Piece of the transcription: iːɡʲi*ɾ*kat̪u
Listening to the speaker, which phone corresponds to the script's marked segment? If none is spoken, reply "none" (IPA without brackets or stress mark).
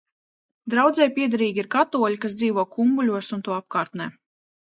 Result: ɾ